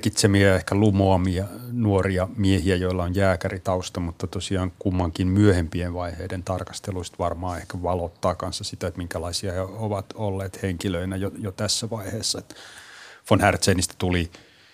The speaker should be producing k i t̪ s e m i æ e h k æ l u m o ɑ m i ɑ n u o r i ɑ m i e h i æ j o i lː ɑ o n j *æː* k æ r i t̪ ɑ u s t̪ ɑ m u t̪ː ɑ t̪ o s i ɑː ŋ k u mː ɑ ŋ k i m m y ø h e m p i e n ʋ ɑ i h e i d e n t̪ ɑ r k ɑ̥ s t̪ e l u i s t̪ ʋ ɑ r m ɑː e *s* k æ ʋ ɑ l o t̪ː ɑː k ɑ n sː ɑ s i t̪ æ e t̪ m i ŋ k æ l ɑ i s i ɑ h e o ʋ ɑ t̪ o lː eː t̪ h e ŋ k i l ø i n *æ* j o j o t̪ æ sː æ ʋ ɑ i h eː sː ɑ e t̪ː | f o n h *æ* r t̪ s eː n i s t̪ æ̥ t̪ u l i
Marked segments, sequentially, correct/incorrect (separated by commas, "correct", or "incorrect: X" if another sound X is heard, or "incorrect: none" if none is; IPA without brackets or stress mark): correct, incorrect: h, correct, correct